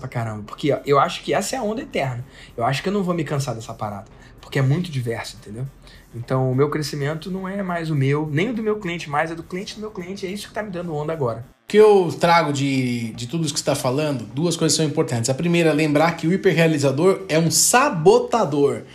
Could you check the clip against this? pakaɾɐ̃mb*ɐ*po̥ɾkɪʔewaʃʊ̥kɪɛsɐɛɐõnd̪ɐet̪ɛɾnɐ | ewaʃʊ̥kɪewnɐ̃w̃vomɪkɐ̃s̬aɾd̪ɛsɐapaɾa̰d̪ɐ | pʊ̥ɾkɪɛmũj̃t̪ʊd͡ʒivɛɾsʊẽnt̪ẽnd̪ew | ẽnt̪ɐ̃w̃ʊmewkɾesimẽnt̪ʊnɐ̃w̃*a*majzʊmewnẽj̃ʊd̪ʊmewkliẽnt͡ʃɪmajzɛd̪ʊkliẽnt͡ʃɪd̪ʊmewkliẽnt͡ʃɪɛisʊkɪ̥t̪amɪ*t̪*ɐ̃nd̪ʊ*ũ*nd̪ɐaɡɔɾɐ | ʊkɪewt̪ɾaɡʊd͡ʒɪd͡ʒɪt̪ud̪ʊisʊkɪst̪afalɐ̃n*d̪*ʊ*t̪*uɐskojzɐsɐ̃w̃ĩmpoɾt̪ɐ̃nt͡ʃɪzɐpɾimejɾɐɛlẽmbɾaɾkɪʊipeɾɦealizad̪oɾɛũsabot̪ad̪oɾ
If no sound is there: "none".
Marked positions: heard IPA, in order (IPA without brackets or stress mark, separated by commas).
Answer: ɐ, ɛ, d̪, õ, d̪, d̪